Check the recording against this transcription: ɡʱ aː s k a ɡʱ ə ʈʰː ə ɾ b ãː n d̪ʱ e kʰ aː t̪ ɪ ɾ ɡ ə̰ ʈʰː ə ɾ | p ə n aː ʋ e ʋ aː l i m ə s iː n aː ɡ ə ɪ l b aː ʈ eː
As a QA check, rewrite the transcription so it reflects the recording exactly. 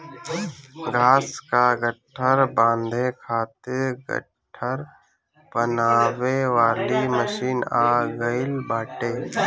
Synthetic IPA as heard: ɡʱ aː s k a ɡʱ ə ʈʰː ə ɾ b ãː n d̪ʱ e kʰ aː t̪ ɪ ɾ ɡ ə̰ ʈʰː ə ɾ | p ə n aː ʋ e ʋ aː l i m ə ʃ iː n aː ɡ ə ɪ l b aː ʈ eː